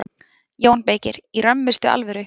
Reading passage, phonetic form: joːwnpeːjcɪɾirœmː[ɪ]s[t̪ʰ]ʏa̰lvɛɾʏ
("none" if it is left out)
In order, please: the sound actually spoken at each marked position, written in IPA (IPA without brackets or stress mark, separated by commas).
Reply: ɪ, t̪